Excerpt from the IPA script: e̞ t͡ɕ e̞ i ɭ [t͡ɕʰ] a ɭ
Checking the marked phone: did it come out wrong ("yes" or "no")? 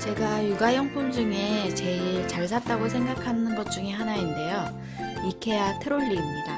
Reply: yes